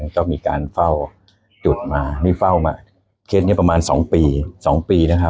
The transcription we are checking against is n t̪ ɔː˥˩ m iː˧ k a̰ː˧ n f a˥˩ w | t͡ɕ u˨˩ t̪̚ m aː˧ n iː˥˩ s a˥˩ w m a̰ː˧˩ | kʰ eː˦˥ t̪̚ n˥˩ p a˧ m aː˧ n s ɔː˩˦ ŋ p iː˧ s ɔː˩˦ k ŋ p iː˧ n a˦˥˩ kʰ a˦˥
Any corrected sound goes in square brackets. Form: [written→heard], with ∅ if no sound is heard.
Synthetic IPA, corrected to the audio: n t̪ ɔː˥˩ m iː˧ k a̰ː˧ n f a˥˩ w | t͡ɕ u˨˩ t̪̚ m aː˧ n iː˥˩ [s→f] a˥˩ w m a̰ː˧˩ | kʰ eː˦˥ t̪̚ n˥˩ p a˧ m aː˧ n s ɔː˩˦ ŋ p iː˧ s ɔː˩˦ [k→∅] ŋ p iː˧ n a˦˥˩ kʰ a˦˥